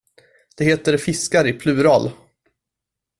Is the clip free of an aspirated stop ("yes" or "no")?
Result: no